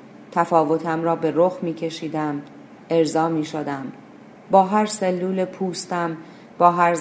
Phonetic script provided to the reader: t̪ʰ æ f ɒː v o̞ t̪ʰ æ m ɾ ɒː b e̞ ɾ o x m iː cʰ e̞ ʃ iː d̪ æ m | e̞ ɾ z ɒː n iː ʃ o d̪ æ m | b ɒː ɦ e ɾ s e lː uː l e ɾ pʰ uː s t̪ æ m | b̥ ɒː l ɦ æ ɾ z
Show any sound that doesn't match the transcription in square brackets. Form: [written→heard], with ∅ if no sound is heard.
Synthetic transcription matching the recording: t̪ʰ æ f ɒː v o̞ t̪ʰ æ m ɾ ɒː b e̞ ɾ o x m iː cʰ e̞ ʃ iː d̪ æ m | e̞ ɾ z ɒː [n→m] iː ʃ o d̪ æ m | b ɒː ɦ [e→æ] ɾ s e lː uː l e [ɾ→∅] pʰ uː s t̪ æ m | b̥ ɒː [l→∅] ɦ æ ɾ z